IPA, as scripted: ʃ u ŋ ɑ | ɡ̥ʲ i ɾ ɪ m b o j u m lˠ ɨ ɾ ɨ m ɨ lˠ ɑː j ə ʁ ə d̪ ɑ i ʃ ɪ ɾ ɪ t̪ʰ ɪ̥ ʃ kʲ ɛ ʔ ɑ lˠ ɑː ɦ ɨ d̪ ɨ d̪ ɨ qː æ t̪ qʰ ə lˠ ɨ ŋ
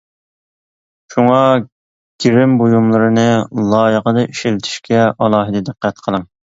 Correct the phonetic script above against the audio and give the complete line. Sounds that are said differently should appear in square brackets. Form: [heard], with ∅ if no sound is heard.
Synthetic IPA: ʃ u ŋ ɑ | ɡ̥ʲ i ɾ ɪ m b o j u m lˠ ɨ ɾ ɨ [n] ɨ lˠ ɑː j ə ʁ ə d̪ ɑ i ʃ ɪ [l] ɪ t̪ʰ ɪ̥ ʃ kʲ ɛ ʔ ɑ lˠ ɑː ɦ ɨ d̪ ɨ d̪ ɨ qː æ t̪ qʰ ə lˠ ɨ ŋ